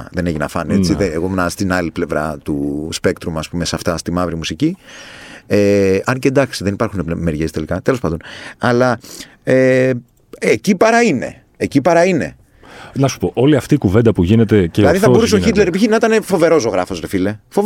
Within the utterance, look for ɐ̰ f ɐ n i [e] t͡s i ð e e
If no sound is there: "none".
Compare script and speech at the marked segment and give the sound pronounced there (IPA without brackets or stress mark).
e